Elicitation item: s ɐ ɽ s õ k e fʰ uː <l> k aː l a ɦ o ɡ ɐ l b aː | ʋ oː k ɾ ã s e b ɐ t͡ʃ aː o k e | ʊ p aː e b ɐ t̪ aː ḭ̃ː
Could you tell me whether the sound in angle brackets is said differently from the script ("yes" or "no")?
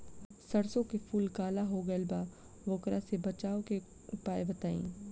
no